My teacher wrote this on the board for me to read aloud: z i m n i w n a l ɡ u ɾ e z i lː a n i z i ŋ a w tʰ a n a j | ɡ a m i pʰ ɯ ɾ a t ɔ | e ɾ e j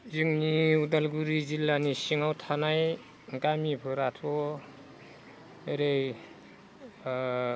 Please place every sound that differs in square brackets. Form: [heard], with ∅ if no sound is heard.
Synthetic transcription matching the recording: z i [ŋ] n i [u] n a l ɡ u ɾ [i] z i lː a n i [s] i ŋ a w tʰ a n a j | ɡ a m i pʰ ɯ ɾ a [tʰ] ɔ | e ɾ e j